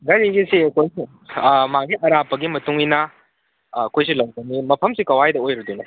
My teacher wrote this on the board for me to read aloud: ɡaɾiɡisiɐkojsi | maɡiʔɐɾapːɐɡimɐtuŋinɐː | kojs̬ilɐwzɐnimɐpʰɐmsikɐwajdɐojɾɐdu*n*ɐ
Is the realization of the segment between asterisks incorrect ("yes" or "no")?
no